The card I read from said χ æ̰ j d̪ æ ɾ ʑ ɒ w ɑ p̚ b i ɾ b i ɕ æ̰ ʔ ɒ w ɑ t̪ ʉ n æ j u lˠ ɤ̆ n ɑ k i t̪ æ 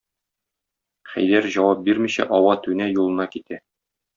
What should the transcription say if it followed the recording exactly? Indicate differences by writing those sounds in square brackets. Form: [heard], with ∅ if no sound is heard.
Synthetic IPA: χ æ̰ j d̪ æ ɾ ʑ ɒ w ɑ p̚ b i ɾ [m] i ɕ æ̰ ʔ ɒ w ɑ t̪ ʉ n æ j u lˠ ɤ̆ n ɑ k i t̪ æ

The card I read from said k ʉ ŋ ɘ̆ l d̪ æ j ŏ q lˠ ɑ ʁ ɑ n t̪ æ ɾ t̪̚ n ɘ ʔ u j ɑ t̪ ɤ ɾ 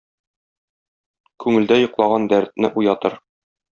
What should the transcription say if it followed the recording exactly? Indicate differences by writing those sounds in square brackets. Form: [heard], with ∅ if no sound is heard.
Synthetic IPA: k ʉ ŋ ɘ̆ l d̪ æ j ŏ q lˠ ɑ ʁ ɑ n [d̪] æ ɾ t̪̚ n ɘ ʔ u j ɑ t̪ ɤ ɾ

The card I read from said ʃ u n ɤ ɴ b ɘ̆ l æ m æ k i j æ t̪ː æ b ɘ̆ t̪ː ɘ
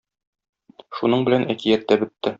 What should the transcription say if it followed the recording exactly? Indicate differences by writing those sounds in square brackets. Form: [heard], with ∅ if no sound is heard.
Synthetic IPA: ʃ u n ɤ ɴ b ɘ̆ l æ [n] æ k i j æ t̪ː æ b ɘ̆ t̪ː ɘ

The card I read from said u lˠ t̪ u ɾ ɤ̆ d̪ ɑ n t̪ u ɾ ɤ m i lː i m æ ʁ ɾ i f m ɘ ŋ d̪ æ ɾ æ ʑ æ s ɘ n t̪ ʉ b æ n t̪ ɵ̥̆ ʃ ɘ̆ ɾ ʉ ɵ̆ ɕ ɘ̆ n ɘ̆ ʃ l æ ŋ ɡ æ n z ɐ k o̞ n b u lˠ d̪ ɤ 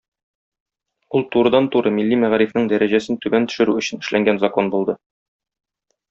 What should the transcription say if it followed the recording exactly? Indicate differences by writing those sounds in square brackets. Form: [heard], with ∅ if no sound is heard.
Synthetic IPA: u lˠ t̪ u ɾ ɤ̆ d̪ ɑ n t̪ u ɾ ɤ m i lː i m æ ʁ ɾ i f [n] ɘ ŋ d̪ æ ɾ æ ʑ æ s ɘ n t̪ ʉ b æ n t̪ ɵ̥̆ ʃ ɘ̆ ɾ ʉ ɵ̆ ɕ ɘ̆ n ɘ̆ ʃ l æ ŋ ɡ æ n z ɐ k o̞ n b u lˠ d̪ ɤ

